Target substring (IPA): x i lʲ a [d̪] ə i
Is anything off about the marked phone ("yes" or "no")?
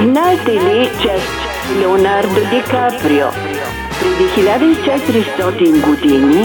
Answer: no